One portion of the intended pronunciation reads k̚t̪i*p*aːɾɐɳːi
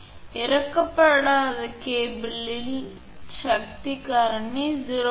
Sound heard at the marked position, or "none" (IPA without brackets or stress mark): k